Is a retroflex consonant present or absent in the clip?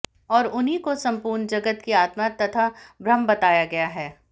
absent